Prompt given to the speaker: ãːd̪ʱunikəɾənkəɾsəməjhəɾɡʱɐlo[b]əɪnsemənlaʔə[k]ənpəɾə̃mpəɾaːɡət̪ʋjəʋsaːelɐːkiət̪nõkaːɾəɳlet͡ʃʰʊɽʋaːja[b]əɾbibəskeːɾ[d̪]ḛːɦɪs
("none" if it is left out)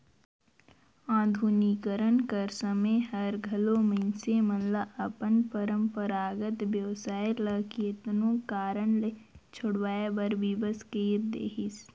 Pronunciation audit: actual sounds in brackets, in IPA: m, p, b, d̪

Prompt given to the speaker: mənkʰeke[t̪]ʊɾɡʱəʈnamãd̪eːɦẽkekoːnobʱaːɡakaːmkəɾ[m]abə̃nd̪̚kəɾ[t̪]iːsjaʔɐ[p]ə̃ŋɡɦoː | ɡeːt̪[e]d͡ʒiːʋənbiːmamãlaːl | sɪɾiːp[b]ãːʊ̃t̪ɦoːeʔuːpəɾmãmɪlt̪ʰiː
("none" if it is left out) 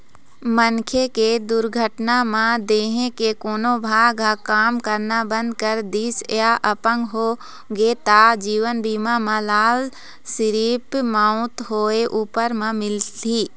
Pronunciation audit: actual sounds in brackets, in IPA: d̪, n, d̪, p, a, m

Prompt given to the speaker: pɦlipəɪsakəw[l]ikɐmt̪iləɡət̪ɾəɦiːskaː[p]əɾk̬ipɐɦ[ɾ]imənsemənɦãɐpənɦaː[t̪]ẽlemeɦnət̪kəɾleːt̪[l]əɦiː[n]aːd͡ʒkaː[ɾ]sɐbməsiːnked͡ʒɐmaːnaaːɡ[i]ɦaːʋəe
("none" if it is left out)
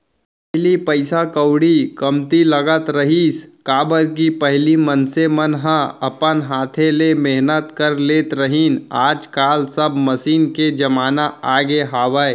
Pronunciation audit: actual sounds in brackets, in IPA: ɽ, b, l, t̪ʰ, ɾ, n, l, e

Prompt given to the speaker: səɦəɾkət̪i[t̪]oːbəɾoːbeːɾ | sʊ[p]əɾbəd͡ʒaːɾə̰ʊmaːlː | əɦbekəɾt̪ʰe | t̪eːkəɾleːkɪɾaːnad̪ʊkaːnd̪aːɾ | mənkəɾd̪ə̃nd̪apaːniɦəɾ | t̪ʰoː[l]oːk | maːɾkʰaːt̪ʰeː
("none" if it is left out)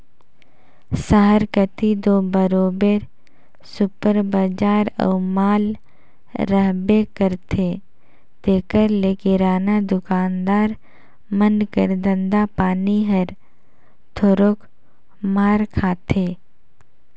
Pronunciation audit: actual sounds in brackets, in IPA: d̪, p, ɾ

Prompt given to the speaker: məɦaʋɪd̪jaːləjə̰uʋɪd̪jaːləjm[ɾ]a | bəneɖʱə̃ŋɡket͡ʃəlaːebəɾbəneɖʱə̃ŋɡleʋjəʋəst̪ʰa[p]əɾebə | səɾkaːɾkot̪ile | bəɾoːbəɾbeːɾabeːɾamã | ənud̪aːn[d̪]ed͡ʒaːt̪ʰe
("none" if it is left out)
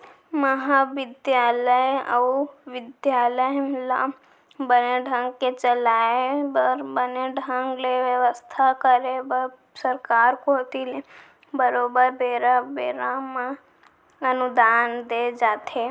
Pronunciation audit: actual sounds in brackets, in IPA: l, k, d̪

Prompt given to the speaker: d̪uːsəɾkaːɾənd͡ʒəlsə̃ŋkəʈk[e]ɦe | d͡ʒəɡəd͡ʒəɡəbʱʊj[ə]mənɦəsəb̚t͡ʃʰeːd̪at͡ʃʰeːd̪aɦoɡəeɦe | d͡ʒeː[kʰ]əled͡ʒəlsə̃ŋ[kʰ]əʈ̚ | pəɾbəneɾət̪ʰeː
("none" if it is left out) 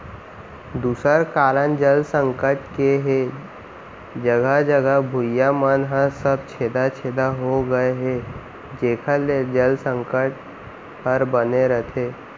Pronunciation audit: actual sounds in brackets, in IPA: e, a, kʰ, k

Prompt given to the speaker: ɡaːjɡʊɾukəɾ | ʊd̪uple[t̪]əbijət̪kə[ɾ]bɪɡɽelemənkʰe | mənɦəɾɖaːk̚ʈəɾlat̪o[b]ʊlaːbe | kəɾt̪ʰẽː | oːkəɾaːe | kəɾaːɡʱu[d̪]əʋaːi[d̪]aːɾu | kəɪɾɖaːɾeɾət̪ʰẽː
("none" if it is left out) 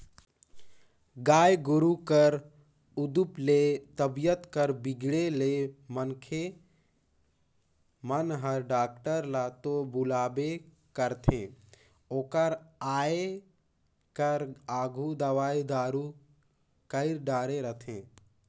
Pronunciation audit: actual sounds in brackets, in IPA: t̪, ɾ, b, d̪, d̪

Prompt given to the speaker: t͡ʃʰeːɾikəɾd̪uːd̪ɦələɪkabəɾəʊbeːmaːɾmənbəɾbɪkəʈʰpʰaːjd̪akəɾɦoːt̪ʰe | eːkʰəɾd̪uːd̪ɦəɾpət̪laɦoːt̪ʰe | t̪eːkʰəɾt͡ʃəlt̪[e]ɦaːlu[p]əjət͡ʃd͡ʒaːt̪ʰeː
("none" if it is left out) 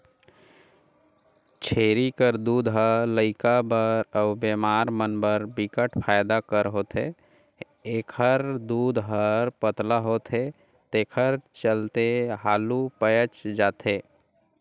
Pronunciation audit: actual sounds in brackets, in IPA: e, p

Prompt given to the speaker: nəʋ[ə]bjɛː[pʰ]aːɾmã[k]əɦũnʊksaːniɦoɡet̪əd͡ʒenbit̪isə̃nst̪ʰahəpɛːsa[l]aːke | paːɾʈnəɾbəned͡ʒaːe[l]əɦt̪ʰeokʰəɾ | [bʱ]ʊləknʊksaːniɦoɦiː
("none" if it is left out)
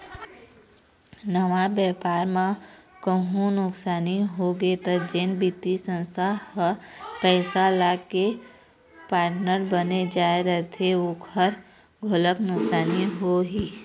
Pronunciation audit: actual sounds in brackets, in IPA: a, p, k, l, ɾ, ɡʱ

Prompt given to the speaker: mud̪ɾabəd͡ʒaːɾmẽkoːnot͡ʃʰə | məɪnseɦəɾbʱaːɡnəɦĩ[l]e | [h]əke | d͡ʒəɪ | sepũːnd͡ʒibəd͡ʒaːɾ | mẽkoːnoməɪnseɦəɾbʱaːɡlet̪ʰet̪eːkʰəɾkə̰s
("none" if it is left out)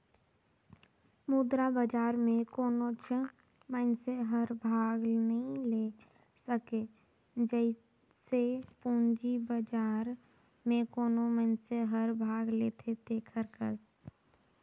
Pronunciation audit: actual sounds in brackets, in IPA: l, s

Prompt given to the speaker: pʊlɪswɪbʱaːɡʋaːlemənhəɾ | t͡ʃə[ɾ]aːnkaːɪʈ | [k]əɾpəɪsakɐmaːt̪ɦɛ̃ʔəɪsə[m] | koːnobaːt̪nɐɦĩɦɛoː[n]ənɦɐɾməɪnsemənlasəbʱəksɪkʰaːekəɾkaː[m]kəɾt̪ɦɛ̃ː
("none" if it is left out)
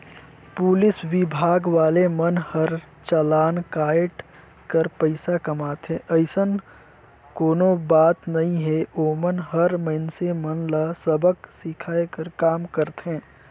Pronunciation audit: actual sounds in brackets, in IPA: l, k, n, m, m

